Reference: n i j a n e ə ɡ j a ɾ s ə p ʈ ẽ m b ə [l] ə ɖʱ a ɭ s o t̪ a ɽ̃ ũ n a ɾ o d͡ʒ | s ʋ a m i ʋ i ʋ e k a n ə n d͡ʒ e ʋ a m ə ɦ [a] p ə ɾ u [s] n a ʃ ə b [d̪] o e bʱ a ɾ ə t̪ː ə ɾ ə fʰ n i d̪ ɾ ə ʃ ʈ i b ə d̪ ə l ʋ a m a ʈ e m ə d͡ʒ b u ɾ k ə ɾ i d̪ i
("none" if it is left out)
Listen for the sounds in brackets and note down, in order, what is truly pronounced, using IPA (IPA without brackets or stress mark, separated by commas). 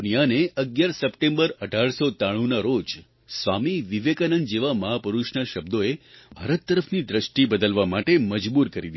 ɾ, a, ʃ, d̪